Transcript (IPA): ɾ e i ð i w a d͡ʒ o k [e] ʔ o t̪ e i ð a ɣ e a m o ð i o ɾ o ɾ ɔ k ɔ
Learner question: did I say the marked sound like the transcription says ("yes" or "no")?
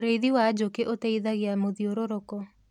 yes